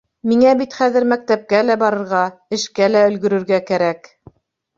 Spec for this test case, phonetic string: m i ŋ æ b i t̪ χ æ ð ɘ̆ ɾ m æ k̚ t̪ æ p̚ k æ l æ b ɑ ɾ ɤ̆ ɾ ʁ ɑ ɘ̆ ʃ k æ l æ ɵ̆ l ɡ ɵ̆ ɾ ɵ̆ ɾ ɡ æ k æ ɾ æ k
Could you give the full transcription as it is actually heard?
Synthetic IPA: m i ŋ æ b i t̪ χ æ ð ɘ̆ ɾ m æ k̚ t̪ æ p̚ k æ l æ b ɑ ɾ ɤ̆ ɾ ʁ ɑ ɘ̆ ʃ k æ l æ ɵ̆ l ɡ ɵ̆ ɾ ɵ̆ ɾ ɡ æ k æ ɾ æ k